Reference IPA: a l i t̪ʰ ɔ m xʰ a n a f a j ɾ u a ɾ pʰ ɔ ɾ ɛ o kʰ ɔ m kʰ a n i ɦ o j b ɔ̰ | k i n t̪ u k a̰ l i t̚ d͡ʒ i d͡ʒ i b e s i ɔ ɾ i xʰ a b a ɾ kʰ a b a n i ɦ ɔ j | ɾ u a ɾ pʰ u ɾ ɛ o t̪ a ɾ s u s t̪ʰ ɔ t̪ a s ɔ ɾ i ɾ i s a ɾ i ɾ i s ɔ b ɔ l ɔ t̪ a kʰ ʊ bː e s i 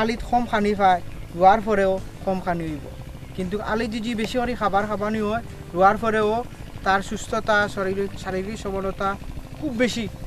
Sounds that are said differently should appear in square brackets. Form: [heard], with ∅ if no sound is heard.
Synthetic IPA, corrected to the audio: a l i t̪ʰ ɔ m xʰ a n [i] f a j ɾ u a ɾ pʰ ɔ ɾ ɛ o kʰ ɔ m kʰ a n i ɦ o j b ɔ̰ | k i n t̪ u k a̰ l i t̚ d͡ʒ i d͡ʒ i b e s i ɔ ɾ i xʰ a b a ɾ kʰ a b a n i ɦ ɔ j | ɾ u a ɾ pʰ [ɔ] ɾ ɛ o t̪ a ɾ s u s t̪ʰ ɔ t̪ a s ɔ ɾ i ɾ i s a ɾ i ɾ i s ɔ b ɔ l ɔ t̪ a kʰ [u] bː e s i